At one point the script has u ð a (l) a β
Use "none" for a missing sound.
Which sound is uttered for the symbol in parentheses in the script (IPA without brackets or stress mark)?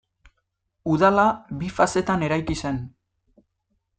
l